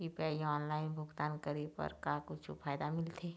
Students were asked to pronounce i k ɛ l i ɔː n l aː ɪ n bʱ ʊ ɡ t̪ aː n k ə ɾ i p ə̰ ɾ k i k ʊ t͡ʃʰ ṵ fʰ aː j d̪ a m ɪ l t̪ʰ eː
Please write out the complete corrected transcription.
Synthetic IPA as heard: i p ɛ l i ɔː n l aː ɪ n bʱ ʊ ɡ t̪ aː n k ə ɾ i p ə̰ ɾ k a k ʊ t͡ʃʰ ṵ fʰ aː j d̪ a m ɪ l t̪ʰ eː

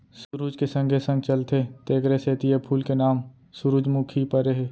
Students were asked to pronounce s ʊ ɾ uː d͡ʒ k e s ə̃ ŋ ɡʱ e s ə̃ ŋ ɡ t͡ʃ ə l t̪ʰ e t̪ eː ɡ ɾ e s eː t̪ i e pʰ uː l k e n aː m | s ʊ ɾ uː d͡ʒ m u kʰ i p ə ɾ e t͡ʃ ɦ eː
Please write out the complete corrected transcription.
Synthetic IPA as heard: s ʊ ɾ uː d͡ʒ k e s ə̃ ŋ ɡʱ e s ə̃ ŋ ɡ t͡ʃ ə l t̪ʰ e t̪ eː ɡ ɾ e s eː t̪ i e pʰ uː l k e n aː m | s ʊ ɾ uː d͡ʒ m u kʰ i p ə ɾ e ɦ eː

